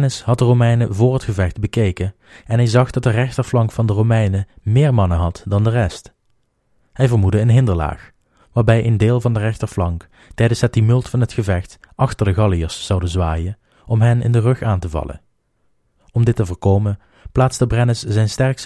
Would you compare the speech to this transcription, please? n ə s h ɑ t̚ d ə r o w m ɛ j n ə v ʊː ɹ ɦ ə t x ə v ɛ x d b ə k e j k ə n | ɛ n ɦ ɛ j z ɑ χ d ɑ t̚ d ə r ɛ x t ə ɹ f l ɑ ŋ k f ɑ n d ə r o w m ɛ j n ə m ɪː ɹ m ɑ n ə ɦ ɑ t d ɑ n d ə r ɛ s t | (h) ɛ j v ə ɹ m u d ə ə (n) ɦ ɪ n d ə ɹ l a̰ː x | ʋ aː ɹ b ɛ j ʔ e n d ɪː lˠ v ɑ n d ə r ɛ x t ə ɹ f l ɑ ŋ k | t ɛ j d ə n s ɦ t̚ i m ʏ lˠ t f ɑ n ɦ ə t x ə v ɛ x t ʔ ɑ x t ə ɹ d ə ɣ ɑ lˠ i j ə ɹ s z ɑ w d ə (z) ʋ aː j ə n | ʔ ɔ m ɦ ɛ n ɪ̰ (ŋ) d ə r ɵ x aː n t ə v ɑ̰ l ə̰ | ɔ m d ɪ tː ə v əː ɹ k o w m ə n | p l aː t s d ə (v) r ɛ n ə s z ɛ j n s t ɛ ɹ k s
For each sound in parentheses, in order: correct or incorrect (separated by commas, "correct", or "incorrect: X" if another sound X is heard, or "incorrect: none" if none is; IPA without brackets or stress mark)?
correct, correct, correct, incorrect: n, incorrect: b